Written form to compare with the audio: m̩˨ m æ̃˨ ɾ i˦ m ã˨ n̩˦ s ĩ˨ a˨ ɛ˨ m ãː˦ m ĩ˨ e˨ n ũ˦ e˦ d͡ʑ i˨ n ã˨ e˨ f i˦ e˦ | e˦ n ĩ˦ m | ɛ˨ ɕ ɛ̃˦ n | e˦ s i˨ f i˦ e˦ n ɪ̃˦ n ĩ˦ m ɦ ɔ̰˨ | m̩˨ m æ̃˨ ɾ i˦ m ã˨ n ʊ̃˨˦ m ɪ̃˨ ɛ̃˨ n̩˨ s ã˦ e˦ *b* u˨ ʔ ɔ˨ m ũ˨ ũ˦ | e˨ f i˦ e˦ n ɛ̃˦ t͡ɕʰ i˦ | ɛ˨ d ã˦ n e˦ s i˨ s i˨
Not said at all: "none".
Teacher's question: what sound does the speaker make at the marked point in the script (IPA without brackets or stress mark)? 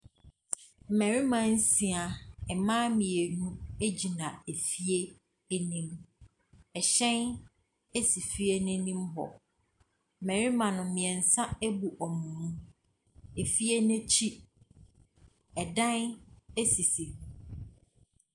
b